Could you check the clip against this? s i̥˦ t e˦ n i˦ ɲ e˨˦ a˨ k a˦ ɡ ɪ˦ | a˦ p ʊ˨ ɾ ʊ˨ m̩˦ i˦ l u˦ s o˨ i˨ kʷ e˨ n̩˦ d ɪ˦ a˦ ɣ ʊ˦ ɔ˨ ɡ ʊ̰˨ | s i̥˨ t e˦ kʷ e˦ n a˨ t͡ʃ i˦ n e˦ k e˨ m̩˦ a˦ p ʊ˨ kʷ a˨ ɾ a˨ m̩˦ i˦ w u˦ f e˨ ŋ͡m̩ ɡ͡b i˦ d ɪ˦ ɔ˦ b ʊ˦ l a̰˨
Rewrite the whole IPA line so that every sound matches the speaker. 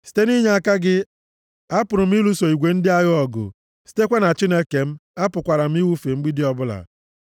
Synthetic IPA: s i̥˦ t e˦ n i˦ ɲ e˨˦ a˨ k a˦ ɡ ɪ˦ | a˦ p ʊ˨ ɾ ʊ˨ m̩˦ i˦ l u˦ s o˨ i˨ ɡʷ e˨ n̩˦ d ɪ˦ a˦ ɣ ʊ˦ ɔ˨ ɡ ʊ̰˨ | s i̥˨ t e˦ kʷ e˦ n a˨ t͡ʃ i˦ n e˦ k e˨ m̩˦ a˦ p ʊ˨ kʷ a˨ ɾ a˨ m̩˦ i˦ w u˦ f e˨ ŋ͡m̩ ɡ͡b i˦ d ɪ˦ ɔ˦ b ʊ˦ l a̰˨